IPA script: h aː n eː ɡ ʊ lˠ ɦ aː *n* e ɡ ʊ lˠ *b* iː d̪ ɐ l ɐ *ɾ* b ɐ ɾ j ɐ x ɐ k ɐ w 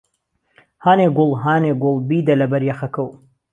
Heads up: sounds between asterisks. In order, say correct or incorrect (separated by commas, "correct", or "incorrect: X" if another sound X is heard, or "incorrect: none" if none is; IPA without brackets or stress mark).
correct, correct, incorrect: none